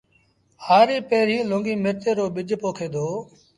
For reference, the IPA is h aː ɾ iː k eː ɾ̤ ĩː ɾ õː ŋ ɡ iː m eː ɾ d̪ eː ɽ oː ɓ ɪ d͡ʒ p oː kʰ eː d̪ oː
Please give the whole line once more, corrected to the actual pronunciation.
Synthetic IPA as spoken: h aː ɾ iː p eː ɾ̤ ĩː l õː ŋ ɡ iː m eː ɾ t̪ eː ɾ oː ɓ ɪ d͡ʒ p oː kʰ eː d̪ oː